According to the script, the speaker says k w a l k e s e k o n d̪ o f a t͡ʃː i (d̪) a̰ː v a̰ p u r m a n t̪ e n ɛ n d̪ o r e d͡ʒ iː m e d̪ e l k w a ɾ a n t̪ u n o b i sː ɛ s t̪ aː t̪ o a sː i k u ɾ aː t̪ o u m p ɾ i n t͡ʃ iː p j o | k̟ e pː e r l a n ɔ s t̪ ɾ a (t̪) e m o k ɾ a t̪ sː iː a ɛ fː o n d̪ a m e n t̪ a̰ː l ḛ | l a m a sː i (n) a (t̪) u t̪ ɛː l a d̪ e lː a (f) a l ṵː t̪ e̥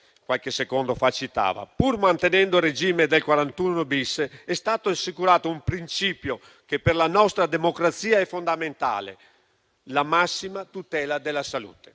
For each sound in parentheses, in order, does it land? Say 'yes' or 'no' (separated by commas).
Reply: no, no, no, yes, no